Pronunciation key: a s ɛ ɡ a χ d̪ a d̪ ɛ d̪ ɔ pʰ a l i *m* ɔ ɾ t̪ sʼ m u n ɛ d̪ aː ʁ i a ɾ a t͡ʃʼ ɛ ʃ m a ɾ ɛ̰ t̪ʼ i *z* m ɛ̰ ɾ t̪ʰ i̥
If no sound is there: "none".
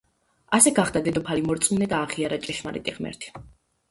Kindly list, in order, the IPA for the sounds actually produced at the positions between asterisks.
m, ʁ

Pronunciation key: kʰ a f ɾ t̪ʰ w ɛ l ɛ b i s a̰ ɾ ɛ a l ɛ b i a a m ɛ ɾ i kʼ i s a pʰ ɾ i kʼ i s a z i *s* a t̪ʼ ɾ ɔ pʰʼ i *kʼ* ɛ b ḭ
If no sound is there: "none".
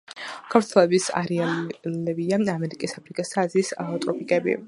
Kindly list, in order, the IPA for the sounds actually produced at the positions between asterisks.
s, kʼ

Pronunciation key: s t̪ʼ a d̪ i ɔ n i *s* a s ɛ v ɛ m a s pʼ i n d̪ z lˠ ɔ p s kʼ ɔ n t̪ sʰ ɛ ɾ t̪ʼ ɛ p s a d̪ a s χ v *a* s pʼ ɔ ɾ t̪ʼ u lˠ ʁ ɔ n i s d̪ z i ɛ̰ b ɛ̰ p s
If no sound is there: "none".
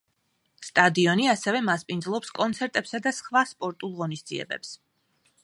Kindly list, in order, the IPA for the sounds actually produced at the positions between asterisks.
none, a

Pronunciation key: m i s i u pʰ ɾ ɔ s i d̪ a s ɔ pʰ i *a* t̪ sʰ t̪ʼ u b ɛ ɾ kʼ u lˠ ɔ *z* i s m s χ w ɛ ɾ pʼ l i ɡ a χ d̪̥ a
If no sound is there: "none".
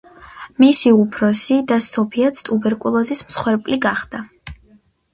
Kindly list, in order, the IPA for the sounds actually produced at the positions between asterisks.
a, z

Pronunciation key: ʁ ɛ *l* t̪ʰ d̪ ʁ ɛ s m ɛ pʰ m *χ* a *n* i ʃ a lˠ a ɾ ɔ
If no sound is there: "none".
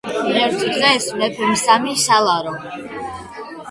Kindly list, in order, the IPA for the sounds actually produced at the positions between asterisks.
ɾ, s, m

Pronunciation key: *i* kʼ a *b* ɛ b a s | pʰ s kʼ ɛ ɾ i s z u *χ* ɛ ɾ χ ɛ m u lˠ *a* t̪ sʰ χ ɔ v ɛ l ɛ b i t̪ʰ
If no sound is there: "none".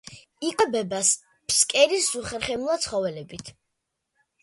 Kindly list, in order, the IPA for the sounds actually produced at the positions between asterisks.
i, b, χ, a

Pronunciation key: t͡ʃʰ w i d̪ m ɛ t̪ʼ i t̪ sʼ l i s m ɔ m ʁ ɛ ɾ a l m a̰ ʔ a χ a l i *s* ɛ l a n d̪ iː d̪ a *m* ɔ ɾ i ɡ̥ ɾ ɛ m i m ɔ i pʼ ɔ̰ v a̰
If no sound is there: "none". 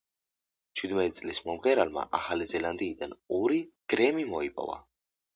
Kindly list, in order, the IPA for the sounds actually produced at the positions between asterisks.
z, n

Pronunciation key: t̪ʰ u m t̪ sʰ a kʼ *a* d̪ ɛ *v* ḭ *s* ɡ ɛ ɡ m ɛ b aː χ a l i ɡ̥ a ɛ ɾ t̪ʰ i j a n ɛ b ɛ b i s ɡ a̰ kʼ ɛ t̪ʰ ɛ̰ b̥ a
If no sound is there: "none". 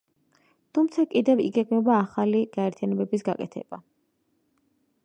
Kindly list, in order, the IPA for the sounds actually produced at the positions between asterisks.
i, v, none

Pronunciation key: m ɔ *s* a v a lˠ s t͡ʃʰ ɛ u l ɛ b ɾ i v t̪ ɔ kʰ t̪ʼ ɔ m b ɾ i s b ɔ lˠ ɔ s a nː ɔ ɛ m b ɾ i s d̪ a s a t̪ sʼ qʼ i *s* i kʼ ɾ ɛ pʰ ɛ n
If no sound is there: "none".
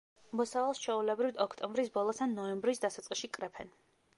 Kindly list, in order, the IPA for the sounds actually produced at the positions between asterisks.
s, ʃ

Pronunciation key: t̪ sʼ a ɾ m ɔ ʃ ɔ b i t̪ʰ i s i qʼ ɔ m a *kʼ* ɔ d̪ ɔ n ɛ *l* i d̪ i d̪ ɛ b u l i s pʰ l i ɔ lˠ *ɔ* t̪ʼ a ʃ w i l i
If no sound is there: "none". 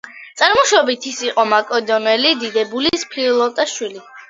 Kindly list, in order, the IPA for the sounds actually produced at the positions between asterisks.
kʼ, l, ɔ

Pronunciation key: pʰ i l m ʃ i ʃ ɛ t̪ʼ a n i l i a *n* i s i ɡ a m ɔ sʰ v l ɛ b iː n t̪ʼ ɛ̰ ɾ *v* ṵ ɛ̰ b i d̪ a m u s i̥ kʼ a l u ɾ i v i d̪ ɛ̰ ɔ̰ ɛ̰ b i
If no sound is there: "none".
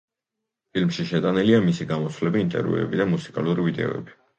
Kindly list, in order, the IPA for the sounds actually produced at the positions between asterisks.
m, v

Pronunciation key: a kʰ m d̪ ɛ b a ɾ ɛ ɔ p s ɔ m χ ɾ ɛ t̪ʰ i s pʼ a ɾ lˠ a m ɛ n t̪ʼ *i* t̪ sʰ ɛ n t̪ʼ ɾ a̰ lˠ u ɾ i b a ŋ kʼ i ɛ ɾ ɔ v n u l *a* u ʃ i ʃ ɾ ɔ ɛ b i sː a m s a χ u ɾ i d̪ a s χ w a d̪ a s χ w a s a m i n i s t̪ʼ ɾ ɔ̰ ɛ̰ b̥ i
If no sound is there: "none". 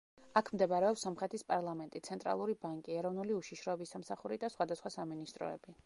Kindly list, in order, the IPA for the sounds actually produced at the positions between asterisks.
i, i

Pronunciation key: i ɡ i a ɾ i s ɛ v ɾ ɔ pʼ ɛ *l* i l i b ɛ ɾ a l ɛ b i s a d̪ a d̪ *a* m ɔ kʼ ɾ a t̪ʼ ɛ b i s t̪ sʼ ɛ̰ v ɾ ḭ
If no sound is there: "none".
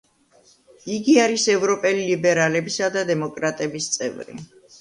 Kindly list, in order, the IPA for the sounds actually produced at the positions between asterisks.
l, ɛ

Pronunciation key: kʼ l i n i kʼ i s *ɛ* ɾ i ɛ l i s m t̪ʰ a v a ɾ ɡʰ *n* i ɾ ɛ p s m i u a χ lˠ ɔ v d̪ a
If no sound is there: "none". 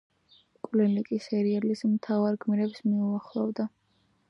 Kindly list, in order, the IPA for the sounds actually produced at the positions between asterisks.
ɛ, m

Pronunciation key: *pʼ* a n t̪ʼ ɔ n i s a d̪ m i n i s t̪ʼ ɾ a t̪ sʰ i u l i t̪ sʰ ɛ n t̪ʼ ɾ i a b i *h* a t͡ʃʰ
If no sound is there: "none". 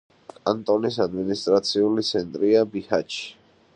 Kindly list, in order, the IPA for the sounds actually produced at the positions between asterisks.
kʼ, h

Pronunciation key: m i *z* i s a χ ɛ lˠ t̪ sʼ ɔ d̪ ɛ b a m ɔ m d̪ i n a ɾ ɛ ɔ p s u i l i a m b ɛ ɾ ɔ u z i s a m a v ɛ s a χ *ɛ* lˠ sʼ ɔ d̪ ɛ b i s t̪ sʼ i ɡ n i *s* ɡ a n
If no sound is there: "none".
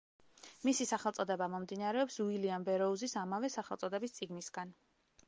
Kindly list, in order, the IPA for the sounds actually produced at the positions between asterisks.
s, ɛ, s

